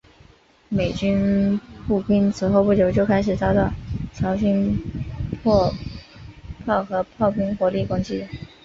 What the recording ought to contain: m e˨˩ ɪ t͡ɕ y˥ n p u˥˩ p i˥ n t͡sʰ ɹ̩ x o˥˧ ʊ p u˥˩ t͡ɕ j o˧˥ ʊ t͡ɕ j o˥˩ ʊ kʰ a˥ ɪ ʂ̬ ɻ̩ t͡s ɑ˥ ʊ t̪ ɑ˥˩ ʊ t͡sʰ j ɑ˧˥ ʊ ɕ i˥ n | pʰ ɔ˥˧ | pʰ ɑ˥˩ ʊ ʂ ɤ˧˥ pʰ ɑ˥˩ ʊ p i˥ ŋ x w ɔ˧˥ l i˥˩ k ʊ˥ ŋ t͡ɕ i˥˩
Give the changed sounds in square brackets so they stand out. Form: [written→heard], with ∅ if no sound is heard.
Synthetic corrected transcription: m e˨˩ ɪ t͡ɕ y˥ n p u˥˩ p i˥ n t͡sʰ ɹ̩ x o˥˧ ʊ p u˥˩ t͡ɕ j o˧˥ ʊ t͡ɕ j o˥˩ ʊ kʰ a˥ ɪ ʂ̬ ɻ̩ t͡s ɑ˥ ʊ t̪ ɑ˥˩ ʊ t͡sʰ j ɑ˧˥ ʊ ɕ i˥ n | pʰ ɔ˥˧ | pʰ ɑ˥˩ ʊ [ʂ→x] ɤ˧˥ pʰ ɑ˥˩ ʊ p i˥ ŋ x w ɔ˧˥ l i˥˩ k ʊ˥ ŋ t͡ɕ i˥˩

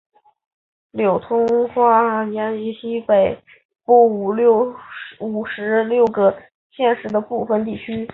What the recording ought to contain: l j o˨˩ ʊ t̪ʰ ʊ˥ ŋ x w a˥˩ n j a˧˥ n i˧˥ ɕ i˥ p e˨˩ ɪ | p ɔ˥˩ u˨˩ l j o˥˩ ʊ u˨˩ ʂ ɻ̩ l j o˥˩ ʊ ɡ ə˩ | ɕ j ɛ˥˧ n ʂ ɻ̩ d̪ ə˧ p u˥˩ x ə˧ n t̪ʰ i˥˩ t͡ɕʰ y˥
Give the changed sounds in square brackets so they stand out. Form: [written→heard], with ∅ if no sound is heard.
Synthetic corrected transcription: l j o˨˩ ʊ t̪ʰ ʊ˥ ŋ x w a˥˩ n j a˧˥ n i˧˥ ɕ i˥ p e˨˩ ɪ | p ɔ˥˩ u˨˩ l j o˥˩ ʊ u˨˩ ʂ ɻ̩ l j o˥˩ ʊ ɡ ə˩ | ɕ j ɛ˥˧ n ʂ ɻ̩ d̪ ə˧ p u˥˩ [x→f] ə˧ n [t̪ʰ→t̪] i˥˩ t͡ɕʰ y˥

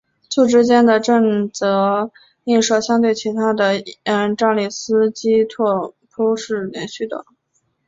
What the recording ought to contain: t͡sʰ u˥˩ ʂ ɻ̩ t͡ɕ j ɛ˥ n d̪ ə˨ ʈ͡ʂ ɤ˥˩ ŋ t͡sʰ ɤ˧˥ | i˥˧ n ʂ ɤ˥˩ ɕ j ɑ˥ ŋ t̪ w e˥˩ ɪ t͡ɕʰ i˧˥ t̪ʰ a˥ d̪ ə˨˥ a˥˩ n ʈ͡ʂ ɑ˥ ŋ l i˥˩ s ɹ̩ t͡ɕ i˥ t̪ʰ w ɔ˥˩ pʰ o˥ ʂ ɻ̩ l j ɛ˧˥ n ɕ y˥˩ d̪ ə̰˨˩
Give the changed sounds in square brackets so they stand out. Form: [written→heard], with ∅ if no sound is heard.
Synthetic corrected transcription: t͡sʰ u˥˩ [ʂ→ʈ͡ʂ] ɻ̩ t͡ɕ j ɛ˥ n d̪ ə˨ ʈ͡ʂ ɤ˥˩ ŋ [t͡sʰ→t͡s] ɤ˧˥ | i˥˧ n ʂ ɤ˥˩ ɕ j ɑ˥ ŋ t̪ w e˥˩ ɪ t͡ɕʰ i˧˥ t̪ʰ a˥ d̪ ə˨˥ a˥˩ n ʈ͡ʂ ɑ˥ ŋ l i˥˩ s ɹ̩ t͡ɕ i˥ t̪ʰ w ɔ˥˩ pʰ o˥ ʂ ɻ̩ l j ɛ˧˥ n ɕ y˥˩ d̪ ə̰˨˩

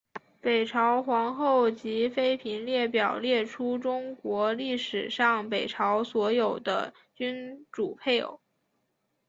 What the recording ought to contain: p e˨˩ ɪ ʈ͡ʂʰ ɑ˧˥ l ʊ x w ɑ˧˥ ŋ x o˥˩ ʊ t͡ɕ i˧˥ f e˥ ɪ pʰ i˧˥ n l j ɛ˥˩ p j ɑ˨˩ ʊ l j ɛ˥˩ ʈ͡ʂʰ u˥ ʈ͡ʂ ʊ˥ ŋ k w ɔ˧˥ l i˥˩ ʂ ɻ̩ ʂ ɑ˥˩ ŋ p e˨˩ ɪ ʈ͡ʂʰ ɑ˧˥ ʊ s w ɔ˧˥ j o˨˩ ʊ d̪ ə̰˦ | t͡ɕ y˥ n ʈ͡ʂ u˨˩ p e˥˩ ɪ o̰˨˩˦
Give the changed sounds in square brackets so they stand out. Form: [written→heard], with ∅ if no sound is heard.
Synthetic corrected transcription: p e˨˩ ɪ ʈ͡ʂʰ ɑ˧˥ [l→∅] ʊ x w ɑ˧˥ ŋ x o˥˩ ʊ t͡ɕ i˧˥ f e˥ ɪ pʰ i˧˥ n l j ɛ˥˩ p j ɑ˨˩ ʊ l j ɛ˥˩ ʈ͡ʂʰ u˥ ʈ͡ʂ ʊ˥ ŋ k w ɔ˧˥ l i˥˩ ʂ ɻ̩ ʂ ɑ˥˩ ŋ p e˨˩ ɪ ʈ͡ʂʰ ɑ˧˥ ʊ s w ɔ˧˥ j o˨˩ ʊ d̪ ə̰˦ | t͡ɕ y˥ n ʈ͡ʂ u˨˩ [p→pʰ] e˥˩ ɪ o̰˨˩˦

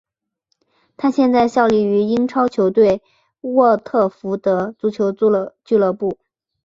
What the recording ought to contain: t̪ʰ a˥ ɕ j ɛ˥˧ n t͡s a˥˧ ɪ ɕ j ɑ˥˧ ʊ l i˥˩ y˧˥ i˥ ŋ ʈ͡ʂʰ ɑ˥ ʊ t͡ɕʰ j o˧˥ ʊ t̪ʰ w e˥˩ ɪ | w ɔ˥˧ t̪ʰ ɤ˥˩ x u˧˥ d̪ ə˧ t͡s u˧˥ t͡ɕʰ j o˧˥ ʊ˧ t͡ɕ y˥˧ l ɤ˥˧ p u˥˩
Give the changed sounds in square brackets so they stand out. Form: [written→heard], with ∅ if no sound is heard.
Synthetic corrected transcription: t̪ʰ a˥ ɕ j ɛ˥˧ n t͡s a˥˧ ɪ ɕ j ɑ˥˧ ʊ l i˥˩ y˧˥ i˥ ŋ ʈ͡ʂʰ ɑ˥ ʊ t͡ɕʰ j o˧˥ ʊ [t̪ʰ→t̪] w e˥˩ ɪ | w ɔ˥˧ t̪ʰ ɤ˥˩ [x→f] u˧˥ d̪ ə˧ t͡s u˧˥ t͡ɕʰ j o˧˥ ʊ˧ t͡ɕ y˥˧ l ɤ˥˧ p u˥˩

